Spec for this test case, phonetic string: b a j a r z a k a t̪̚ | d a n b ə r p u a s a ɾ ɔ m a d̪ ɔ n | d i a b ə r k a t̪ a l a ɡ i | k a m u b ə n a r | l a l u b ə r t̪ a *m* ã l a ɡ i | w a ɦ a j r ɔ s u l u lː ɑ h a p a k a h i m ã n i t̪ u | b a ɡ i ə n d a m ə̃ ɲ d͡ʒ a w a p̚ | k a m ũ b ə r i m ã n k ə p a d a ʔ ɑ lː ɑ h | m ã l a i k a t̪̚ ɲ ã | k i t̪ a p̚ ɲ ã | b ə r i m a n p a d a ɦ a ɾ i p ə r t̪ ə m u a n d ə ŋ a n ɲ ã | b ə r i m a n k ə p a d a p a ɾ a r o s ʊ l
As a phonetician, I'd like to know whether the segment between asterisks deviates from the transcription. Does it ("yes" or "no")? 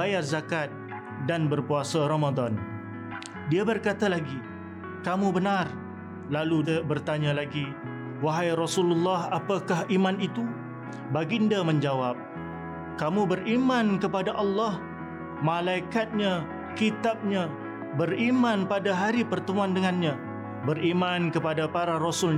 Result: yes